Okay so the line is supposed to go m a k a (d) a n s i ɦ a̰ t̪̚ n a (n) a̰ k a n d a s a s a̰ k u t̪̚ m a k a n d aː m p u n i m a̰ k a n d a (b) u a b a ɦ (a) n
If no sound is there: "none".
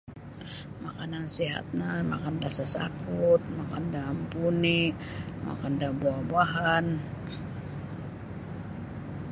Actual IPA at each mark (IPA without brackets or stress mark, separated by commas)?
n, m, b, a